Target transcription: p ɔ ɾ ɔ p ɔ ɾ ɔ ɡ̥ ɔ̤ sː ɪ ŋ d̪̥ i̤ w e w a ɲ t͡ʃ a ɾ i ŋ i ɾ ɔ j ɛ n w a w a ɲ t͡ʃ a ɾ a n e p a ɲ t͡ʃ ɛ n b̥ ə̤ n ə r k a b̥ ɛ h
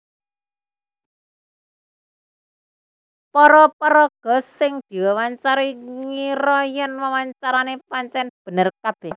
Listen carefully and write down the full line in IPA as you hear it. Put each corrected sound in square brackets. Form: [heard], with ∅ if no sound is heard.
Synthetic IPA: p ɔ ɾ ɔ p ɔ ɾ ɔ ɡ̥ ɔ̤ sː ɪ ŋ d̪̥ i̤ w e w a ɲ t͡ʃ a ɾ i ŋ i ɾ ɔ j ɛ n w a w a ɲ t͡ʃ a ɾ a n e p a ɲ t͡ʃ ɛ n b̥ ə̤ n ə r k a b̥ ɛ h

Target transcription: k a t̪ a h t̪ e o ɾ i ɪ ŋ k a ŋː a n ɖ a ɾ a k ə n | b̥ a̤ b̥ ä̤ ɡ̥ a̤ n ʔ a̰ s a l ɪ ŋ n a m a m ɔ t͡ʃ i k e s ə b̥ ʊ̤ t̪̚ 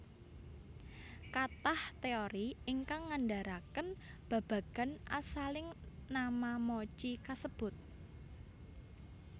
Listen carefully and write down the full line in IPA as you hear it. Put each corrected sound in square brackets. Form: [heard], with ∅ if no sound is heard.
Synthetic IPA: k a t̪ a h t̪ e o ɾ i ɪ ŋ k a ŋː a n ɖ a ɾ a k ə n | b̥ a̤ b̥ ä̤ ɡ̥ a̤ n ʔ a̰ s a l ɪ ŋ n a m a m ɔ t͡ʃ i k [a] s ə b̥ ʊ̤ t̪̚

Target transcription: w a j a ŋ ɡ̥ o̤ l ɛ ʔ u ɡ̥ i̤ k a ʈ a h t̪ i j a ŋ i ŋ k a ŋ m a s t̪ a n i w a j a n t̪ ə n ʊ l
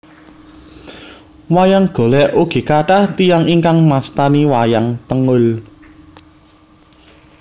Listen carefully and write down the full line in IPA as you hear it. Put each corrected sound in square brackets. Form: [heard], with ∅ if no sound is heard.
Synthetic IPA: w a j a ŋ ɡ̥ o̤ l ɛ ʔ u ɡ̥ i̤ k a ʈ a h t̪ i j a ŋ i ŋ k a ŋ m a s t̪ a n i w a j a [ŋ] t̪ ə [ŋ] ʊ l

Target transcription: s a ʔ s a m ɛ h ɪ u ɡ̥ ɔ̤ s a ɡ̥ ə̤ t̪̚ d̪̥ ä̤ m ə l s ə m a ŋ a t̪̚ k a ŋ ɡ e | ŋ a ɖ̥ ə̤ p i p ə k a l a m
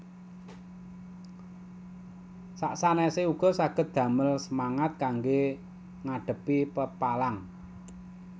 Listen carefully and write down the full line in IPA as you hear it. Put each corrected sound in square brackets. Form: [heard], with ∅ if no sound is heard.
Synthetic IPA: s a ʔ s a [n] ɛ [s] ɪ u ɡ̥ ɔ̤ s a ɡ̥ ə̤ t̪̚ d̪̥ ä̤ m ə l s ə m a ŋ a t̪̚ k a ŋ ɡ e | ŋ a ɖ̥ ə̤ p i p ə [p] a l a [ŋ]

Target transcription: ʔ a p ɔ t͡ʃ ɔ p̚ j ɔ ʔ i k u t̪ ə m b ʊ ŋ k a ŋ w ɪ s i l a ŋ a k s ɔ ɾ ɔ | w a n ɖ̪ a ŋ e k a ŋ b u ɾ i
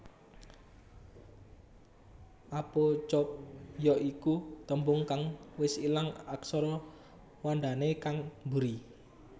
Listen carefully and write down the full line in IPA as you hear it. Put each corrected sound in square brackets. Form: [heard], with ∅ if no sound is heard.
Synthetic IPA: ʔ a p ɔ t͡ʃ ɔ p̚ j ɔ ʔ i k u t̪ ə m b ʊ ŋ k a ŋ w ɪ s i l a ŋ a k s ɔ ɾ ɔ | w a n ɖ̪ a [n] e k a ŋ b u ɾ i

